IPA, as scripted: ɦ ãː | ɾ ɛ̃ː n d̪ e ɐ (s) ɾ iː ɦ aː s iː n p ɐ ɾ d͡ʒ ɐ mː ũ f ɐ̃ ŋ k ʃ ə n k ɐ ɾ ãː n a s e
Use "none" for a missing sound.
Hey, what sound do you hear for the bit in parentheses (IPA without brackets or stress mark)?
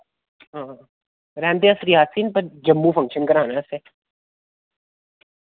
s